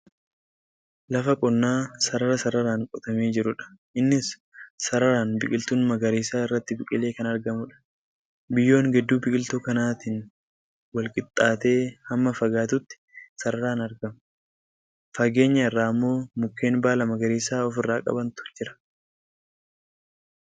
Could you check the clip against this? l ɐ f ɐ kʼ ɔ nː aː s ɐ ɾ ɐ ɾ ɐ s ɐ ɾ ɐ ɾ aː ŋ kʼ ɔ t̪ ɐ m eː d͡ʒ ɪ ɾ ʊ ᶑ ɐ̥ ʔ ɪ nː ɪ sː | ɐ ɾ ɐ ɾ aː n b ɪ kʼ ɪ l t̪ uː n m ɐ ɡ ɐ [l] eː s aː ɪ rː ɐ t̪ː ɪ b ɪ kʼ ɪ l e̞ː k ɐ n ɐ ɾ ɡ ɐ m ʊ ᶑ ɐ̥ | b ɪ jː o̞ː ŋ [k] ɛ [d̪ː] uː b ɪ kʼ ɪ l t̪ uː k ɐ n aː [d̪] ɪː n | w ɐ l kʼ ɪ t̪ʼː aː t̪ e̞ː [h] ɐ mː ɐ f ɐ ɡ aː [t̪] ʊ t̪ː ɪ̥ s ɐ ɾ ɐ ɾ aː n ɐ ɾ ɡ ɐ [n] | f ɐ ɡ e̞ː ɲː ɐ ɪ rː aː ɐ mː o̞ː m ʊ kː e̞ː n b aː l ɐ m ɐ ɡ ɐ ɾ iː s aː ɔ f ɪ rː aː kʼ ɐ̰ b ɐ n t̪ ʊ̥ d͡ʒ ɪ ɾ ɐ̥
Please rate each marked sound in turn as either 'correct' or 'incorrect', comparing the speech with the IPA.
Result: incorrect, incorrect, correct, incorrect, correct, correct, incorrect

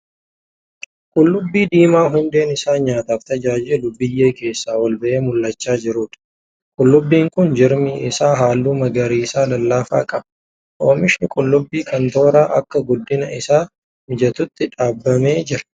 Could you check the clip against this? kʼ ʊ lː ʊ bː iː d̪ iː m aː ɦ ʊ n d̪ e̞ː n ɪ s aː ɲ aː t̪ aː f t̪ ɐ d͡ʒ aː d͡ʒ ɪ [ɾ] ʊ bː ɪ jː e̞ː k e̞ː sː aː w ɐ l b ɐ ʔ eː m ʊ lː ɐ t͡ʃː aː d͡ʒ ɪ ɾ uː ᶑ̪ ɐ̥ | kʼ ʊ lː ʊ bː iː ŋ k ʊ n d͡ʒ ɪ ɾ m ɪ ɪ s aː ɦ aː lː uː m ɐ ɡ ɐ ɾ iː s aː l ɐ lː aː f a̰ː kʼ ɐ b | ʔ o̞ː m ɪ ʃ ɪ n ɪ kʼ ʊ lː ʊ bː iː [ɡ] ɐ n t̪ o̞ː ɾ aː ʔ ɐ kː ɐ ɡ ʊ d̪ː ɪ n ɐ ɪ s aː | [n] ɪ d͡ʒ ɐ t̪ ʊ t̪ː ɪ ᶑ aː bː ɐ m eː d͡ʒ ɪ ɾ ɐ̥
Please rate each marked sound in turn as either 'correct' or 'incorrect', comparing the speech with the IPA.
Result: incorrect, incorrect, incorrect

